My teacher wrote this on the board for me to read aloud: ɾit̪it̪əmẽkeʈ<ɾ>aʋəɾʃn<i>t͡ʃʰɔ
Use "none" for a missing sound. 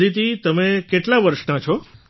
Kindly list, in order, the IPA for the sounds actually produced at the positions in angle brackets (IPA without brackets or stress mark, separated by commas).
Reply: l, a